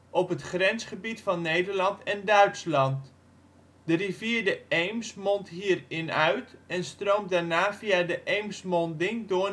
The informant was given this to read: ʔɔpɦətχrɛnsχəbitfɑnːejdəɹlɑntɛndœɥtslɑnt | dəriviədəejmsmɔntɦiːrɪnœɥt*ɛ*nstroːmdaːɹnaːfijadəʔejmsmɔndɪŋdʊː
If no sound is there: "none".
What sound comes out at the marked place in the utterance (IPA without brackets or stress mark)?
ɛ